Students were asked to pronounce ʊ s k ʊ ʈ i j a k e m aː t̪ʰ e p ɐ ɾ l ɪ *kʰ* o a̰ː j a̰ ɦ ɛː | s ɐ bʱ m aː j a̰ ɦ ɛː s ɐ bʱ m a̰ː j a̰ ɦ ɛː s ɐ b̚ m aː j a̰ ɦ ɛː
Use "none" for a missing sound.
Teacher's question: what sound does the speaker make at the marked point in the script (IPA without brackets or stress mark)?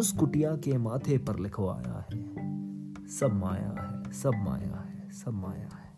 kʰ